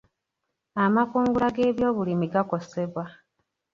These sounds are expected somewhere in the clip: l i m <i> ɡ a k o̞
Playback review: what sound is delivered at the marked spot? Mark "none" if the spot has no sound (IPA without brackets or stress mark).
i